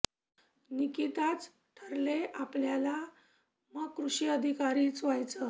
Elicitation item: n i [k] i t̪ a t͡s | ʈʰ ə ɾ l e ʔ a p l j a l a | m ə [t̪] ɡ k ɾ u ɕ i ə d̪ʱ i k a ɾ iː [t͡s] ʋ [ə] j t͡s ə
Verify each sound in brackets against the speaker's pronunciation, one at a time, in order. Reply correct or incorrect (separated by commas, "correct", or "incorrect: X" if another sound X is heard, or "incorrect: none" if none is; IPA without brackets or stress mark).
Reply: correct, incorrect: none, correct, incorrect: a